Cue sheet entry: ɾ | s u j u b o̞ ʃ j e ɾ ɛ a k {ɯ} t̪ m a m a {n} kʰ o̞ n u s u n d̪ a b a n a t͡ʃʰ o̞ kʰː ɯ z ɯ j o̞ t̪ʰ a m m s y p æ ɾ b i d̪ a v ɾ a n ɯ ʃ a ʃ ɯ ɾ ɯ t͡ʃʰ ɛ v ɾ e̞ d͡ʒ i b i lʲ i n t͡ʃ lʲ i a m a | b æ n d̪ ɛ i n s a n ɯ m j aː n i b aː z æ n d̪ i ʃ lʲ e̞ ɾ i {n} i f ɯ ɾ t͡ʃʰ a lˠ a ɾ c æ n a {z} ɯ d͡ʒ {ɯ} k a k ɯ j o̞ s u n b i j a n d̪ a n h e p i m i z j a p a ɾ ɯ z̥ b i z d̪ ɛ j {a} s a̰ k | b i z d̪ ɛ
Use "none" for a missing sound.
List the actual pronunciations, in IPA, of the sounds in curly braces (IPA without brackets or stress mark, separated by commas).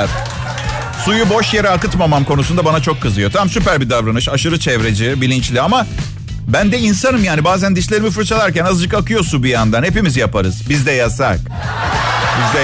ɯ, m, m, z, ɯ, a